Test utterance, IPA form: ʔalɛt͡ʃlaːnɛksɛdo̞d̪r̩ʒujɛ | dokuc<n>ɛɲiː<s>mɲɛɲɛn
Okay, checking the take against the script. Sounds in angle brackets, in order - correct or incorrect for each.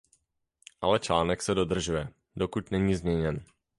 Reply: correct, incorrect: z

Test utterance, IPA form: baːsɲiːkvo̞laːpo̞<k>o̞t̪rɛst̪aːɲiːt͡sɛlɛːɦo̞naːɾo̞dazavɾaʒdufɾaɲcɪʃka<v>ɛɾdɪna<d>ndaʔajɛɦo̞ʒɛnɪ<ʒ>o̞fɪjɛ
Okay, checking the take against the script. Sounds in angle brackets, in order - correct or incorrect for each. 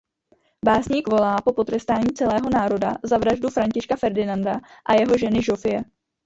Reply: incorrect: p, incorrect: f, incorrect: none, correct

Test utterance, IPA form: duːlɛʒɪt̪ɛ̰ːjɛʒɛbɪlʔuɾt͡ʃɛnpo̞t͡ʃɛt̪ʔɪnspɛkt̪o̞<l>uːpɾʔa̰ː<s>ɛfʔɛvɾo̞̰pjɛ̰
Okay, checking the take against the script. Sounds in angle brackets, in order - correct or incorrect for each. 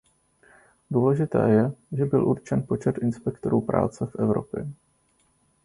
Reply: incorrect: ɾ, incorrect: t͡s

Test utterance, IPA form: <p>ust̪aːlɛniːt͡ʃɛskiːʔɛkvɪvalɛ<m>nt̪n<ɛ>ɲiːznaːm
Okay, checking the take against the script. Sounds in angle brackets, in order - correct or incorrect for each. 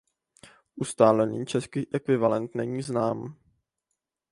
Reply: incorrect: ʔ, incorrect: none, correct

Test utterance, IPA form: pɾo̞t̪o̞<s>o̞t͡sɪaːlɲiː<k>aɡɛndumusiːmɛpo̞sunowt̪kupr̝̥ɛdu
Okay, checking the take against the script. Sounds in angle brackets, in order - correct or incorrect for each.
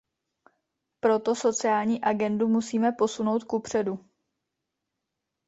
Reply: correct, incorrect: ʔ

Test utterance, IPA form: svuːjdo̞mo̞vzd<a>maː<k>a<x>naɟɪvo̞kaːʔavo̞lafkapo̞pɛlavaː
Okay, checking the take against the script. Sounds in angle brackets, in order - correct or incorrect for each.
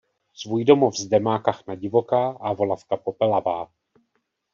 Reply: incorrect: ɛ, correct, correct

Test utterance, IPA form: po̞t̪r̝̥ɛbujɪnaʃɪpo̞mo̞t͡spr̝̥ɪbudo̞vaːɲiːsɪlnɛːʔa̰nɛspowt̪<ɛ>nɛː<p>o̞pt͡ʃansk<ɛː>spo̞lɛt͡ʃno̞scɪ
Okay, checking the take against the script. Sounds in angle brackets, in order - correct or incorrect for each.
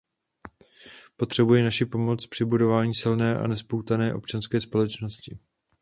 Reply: incorrect: a, incorrect: ʔ, correct

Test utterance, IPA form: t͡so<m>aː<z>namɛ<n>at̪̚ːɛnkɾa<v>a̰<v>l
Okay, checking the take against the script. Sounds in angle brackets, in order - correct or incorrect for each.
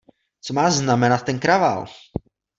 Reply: correct, correct, correct, correct, incorrect: none

